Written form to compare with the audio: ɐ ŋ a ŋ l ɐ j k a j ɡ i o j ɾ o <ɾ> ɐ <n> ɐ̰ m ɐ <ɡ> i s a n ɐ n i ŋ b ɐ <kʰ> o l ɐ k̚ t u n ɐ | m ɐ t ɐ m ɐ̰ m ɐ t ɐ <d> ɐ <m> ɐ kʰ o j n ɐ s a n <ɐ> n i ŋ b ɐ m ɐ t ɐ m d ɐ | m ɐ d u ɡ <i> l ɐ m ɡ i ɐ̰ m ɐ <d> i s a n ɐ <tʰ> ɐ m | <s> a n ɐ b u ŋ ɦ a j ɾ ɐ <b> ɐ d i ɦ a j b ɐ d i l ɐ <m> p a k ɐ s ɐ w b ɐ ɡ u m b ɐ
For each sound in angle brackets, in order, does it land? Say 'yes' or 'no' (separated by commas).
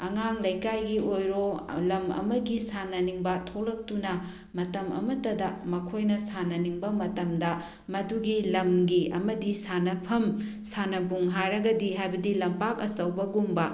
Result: no, no, yes, no, yes, yes, yes, yes, yes, no, yes, no, yes